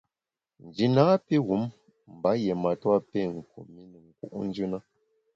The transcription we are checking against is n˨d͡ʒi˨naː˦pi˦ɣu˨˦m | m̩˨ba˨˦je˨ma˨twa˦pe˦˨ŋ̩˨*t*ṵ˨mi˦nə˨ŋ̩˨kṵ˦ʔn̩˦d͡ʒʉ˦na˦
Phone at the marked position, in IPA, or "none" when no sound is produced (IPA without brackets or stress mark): k